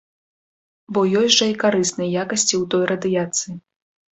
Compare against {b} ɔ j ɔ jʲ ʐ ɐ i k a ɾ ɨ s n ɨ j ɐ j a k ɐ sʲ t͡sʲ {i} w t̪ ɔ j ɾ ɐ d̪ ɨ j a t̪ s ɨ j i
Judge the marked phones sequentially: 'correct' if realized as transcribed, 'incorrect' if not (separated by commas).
correct, correct